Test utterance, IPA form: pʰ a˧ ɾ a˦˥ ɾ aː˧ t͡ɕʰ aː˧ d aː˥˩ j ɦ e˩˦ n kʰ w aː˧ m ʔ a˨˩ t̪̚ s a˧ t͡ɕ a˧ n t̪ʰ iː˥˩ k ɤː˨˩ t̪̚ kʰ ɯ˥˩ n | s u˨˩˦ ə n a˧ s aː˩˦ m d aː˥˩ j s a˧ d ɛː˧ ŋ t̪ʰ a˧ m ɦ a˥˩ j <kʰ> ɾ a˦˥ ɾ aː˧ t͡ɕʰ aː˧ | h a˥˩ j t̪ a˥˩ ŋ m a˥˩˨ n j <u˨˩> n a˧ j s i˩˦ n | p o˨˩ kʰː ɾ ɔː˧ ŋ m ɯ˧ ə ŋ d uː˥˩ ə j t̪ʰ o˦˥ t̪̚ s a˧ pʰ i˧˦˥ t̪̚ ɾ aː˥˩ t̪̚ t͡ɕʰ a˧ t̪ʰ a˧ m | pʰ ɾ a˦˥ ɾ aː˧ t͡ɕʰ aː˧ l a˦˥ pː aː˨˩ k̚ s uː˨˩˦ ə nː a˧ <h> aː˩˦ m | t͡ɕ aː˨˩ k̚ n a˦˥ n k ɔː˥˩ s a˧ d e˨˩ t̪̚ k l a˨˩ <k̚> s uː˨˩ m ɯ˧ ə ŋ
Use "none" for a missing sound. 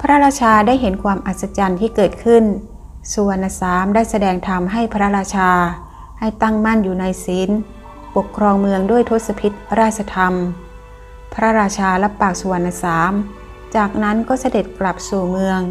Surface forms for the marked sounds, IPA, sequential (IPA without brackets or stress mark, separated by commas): pʰ, uː˨˩, s, p̚